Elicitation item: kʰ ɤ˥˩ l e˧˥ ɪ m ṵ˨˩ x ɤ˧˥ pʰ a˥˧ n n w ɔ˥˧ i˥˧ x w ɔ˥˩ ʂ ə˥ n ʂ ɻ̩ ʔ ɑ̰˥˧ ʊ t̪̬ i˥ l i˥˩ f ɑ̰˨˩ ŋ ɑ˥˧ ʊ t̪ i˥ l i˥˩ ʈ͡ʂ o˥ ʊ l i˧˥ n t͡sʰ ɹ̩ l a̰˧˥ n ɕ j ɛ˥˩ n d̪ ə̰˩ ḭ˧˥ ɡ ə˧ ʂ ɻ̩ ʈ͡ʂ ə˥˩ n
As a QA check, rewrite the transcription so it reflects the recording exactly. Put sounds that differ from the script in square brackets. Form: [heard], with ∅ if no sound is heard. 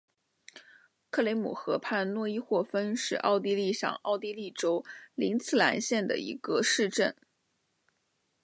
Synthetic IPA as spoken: kʰ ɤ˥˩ l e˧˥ ɪ m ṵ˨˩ x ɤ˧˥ pʰ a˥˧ n n w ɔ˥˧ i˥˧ x w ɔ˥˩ [f] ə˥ n ʂ ɻ̩ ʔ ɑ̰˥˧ ʊ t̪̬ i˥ l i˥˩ [ʂ] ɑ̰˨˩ ŋ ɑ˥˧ ʊ t̪ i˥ l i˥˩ ʈ͡ʂ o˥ ʊ l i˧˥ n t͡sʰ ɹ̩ l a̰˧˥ n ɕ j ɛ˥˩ n d̪ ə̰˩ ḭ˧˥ ɡ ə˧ ʂ ɻ̩ ʈ͡ʂ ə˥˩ n